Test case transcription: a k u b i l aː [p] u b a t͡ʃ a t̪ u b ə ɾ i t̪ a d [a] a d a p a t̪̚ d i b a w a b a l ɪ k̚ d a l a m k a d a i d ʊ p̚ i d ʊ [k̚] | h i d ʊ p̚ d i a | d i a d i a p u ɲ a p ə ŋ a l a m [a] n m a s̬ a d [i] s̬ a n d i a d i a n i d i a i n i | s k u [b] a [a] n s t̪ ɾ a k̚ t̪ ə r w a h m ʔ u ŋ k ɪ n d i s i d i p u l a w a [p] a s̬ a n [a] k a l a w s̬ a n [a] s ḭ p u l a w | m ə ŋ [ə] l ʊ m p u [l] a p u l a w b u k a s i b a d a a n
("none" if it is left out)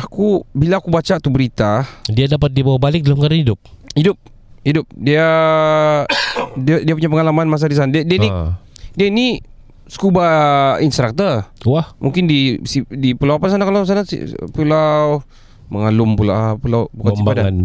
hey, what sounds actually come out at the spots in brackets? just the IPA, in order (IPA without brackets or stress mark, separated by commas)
k, i, p̚, a, i, b, i, p, a, a, a, l